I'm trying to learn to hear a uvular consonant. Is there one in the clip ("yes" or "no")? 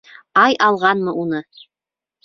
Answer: yes